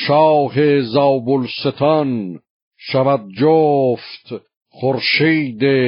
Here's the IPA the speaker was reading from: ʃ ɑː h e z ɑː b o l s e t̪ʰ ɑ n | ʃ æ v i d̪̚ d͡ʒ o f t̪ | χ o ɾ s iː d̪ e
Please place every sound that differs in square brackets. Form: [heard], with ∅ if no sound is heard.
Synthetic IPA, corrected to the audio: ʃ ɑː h e z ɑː b o l s e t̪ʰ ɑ n | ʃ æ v [æ] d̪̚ d͡ʒ o f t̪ | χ o ɾ [ʃ] iː d̪ e